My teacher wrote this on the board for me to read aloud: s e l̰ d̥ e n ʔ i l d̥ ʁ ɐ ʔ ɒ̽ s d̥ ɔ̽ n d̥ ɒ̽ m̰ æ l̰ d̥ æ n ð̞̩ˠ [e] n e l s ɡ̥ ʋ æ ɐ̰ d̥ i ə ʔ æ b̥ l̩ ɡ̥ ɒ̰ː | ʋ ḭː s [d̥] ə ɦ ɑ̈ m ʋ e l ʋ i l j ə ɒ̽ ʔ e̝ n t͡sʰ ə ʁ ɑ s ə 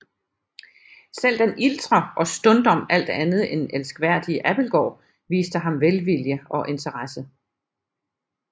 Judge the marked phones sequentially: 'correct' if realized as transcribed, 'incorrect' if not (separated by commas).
correct, correct